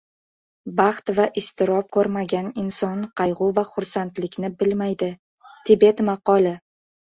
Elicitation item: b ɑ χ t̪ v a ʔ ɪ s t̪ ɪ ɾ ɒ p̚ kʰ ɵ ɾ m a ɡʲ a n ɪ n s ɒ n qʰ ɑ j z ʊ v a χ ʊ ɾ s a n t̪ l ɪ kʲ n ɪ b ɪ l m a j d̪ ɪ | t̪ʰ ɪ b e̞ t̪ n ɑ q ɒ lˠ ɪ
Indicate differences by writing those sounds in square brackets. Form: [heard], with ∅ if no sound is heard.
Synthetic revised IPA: b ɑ χ t̪ v a ʔ ɪ s t̪ ɪ ɾ ɒ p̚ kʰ ɵ ɾ m a ɡʲ a n ɪ n s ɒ n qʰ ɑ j [ʁ] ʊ v a χ ʊ ɾ s a n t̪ l ɪ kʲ n ɪ b ɪ l m a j d̪ ɪ | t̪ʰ ɪ b e̞ t̪ [m] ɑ q ɒ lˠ ɪ